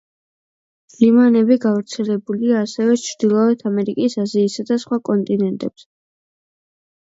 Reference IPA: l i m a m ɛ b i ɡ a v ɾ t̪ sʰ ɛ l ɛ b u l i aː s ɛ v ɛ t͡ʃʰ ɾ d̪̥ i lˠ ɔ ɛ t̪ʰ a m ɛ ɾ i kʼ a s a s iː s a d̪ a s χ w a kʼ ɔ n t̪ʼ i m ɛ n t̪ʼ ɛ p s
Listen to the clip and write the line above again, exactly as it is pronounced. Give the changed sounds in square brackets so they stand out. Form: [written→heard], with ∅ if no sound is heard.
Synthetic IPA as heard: l i m a [m→n] ɛ b i ɡ a v ɾ t̪ sʰ ɛ l ɛ b u l i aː s ɛ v ɛ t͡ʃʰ ɾ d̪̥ i lˠ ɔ ɛ t̪ʰ a m ɛ ɾ i kʼ [a→i] s a [s→z] iː s a d̪ a s χ w a kʼ ɔ n t̪ʼ i [m→n] ɛ n t̪ʼ ɛ p s